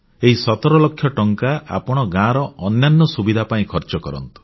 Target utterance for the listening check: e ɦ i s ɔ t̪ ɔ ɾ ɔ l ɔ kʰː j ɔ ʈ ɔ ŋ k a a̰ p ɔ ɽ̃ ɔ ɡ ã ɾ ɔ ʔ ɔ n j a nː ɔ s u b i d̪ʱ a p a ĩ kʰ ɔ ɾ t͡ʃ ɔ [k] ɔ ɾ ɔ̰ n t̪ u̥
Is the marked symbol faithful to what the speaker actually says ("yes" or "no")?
yes